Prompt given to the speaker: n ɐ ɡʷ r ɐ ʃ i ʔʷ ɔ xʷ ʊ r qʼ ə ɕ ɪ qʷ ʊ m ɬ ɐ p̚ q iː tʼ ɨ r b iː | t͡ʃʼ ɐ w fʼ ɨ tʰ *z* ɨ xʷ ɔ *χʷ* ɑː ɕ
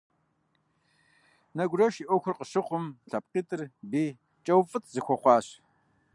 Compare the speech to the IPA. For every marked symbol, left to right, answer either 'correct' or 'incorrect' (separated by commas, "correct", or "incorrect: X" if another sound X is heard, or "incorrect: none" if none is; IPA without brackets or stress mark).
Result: correct, correct